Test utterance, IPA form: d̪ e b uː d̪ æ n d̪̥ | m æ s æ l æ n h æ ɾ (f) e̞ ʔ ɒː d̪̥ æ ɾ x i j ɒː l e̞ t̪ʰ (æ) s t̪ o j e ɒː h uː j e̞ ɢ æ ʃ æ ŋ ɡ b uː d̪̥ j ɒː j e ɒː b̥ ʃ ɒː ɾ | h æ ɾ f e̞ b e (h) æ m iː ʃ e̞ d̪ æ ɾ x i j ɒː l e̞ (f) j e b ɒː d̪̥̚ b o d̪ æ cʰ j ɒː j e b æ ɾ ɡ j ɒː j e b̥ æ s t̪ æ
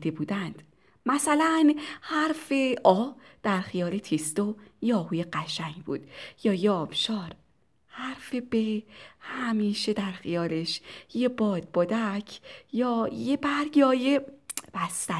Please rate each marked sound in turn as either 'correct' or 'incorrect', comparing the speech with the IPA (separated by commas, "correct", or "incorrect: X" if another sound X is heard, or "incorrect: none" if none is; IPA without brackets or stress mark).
correct, incorrect: i, correct, incorrect: ʃ